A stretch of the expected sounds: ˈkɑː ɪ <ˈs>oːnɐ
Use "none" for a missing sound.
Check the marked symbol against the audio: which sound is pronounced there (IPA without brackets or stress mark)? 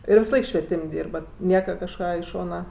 ʃ